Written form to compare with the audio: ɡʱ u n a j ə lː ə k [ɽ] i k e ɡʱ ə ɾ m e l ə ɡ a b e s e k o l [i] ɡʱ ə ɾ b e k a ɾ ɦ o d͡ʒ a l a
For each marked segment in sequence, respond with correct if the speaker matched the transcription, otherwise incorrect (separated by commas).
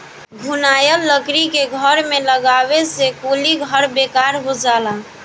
incorrect, correct